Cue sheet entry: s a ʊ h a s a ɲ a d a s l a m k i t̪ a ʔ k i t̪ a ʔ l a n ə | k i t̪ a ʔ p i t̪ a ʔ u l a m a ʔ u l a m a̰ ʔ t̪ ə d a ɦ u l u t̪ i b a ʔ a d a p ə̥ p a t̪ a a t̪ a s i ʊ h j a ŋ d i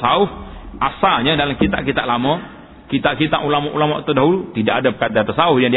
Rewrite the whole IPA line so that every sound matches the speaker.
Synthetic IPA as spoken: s a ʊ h a s a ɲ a d a l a m k i t̪ a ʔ k i t̪ a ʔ l a m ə | k i t̪ a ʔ k i t̪ a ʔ u l a m a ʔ u l a m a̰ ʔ t̪ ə d a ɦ u l u t̪ i d a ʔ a d a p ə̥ k a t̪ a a t̪ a s a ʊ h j a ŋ d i